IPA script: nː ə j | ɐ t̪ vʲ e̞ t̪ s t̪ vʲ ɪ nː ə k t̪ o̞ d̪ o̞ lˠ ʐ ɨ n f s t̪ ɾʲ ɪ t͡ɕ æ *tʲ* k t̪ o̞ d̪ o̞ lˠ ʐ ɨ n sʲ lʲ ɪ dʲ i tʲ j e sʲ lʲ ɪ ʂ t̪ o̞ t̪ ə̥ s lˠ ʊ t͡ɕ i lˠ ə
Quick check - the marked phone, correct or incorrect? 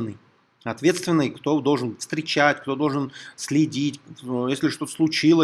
correct